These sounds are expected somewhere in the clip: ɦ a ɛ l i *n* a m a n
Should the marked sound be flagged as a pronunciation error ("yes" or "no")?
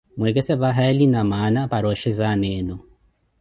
no